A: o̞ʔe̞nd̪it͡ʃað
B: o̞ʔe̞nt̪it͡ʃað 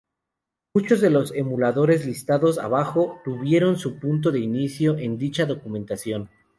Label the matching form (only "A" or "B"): A